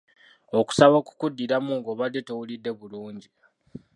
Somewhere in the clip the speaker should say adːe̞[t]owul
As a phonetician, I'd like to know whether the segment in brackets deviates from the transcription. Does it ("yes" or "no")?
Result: no